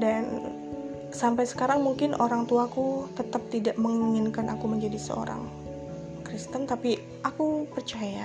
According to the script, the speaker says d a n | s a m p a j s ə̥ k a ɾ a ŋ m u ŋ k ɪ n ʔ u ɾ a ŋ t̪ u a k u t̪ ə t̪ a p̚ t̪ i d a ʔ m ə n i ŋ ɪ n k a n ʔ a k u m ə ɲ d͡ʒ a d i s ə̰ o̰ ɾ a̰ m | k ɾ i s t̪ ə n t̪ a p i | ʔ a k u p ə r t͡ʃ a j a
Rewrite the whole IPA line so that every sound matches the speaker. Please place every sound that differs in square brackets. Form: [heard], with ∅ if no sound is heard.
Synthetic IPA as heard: d a n | s a m p a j s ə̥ k a ɾ a ŋ m u ŋ k ɪ n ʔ [o] ɾ a ŋ t̪ u a k u t̪ ə t̪ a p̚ t̪ i d a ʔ m ə [ŋ] i ŋ ɪ n k a n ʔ a k u m ə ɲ d͡ʒ a d i s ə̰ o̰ ɾ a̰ [ŋ] | k ɾ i s t̪ ə n t̪ a p i | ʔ a k u p ə r t͡ʃ a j a